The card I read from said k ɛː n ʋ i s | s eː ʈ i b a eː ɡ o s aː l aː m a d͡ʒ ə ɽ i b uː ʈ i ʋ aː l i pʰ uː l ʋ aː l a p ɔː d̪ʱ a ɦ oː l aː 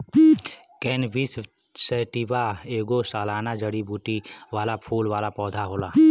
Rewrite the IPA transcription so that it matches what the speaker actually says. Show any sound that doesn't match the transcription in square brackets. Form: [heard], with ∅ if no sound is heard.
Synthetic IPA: k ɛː n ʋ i s | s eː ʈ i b a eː ɡ o s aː l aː [n] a d͡ʒ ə ɽ i b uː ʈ i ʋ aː l [a] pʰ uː l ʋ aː l a p ɔː d̪ʱ a ɦ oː l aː